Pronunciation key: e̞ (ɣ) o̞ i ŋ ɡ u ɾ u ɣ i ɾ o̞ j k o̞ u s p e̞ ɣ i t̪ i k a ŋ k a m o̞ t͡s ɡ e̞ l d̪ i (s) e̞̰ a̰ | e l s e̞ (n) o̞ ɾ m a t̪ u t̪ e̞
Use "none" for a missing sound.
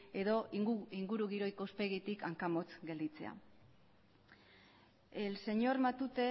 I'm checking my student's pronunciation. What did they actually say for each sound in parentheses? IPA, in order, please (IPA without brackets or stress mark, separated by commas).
ð, t͡s, ɲ